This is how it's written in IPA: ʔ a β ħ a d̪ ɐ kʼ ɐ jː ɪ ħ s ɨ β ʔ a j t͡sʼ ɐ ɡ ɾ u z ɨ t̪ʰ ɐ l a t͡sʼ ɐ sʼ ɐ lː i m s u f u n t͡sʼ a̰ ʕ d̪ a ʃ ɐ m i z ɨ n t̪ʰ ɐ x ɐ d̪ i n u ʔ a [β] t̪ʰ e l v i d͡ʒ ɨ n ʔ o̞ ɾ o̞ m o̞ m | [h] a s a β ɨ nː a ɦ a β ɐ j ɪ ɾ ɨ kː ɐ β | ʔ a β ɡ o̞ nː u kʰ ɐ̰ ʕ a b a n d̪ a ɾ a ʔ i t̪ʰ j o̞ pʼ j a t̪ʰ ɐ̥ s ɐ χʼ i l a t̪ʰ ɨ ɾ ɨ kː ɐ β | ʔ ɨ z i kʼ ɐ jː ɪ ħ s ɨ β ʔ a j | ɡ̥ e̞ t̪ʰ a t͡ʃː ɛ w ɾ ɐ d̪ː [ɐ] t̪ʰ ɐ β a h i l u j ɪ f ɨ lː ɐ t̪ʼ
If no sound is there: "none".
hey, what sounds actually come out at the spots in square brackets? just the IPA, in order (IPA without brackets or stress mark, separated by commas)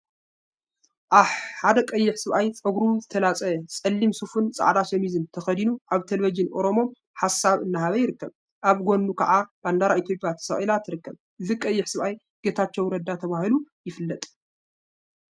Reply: β, ħ, a